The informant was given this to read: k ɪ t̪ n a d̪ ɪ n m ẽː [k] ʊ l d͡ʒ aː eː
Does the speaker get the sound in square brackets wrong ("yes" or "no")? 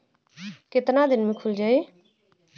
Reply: yes